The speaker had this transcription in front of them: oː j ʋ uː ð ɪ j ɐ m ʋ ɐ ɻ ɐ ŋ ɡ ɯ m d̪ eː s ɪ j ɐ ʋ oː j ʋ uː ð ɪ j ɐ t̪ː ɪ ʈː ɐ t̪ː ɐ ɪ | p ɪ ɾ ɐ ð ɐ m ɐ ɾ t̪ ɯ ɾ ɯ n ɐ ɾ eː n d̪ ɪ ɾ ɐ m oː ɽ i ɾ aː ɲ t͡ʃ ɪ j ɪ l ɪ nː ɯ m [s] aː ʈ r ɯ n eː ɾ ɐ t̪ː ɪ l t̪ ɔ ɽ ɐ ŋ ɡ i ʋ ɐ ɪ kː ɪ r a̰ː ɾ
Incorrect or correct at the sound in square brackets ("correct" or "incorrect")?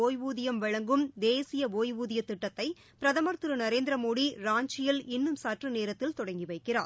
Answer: correct